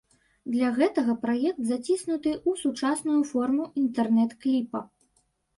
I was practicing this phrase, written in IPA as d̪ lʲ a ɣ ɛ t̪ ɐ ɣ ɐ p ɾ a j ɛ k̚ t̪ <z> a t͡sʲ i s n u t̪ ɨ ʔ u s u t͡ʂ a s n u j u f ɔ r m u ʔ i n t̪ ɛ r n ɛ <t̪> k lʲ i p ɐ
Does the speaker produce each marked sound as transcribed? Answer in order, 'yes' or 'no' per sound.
yes, yes

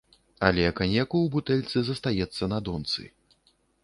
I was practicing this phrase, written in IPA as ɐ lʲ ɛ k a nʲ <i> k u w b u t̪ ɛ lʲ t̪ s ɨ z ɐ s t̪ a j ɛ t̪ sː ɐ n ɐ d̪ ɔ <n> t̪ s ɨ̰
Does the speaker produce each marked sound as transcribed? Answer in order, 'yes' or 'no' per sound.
no, yes

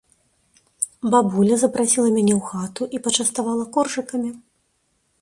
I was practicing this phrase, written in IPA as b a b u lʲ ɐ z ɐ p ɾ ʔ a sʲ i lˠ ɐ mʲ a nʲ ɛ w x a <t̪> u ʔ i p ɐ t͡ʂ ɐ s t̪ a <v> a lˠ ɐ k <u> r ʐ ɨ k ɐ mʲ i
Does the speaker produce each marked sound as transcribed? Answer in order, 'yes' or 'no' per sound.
yes, yes, no

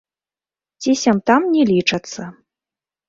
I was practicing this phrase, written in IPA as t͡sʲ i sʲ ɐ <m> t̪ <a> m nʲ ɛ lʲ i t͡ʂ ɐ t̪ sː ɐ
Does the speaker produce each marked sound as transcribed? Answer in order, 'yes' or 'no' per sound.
yes, yes

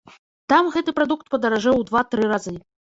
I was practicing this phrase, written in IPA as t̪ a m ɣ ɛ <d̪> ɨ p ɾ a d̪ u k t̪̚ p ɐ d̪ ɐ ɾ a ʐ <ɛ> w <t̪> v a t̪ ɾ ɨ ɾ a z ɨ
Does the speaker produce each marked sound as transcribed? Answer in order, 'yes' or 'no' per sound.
no, yes, no

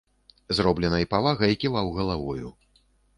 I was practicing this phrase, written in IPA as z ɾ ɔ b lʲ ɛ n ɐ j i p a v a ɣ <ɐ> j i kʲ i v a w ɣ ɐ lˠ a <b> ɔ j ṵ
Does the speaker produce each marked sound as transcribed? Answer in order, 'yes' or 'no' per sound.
yes, no

